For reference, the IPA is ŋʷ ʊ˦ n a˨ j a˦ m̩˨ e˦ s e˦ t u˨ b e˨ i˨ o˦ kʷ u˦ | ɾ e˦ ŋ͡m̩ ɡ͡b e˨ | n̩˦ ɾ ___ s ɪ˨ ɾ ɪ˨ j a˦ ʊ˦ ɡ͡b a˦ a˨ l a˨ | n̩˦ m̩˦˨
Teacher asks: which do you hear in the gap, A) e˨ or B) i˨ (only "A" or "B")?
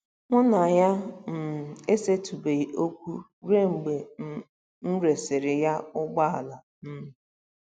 A